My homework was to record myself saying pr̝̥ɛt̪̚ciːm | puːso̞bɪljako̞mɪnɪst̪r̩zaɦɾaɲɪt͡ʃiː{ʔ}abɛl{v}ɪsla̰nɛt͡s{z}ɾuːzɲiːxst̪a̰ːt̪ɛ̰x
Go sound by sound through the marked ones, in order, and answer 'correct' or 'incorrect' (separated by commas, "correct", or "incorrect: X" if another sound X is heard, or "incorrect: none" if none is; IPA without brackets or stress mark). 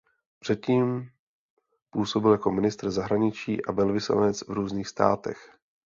correct, correct, incorrect: v